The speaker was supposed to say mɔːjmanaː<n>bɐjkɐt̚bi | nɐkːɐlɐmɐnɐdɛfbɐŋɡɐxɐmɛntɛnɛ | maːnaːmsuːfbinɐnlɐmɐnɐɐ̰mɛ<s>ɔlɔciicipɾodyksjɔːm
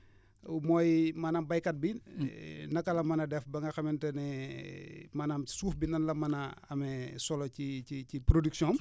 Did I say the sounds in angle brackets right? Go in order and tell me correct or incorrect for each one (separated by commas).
incorrect, correct